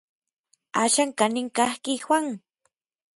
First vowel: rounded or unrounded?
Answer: unrounded